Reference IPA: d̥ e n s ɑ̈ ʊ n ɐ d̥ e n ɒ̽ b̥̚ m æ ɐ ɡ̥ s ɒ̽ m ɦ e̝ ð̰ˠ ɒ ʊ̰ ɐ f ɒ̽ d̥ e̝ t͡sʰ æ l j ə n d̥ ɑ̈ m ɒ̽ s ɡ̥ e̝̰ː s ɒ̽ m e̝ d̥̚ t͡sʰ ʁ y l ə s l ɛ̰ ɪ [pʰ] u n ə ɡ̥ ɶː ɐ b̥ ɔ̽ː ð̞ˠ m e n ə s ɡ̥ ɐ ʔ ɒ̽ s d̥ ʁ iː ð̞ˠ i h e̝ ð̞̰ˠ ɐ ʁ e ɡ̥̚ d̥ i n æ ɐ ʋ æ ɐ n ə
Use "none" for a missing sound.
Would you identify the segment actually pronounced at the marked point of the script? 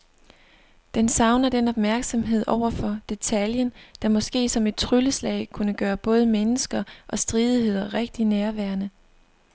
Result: kʰ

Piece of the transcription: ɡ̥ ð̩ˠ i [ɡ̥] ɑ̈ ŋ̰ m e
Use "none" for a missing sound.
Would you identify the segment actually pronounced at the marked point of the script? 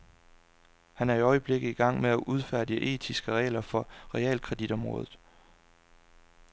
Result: ɡ̥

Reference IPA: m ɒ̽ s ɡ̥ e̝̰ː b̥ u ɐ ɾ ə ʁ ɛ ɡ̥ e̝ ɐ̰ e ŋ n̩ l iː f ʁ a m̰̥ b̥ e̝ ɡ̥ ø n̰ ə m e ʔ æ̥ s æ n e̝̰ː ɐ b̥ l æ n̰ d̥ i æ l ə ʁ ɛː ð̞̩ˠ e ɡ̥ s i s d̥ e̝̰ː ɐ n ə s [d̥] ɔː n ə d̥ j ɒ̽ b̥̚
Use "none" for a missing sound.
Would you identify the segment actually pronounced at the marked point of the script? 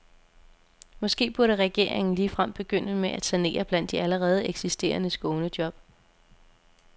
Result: ɡ̥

